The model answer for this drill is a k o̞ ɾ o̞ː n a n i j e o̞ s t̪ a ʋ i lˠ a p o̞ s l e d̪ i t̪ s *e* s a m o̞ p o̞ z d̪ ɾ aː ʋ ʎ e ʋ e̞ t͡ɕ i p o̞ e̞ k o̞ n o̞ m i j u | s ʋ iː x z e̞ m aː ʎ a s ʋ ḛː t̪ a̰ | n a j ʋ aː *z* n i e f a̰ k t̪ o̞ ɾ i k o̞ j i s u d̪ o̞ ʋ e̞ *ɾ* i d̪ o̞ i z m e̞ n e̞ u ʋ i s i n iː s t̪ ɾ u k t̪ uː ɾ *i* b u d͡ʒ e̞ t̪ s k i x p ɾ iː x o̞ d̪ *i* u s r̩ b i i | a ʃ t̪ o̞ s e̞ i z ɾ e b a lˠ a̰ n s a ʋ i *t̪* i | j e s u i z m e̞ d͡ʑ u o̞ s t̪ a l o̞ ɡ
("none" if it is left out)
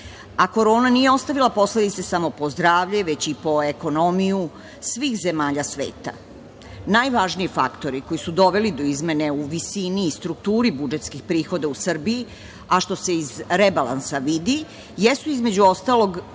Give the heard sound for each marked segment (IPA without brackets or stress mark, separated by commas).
e, ʒ, l, i, a, d̪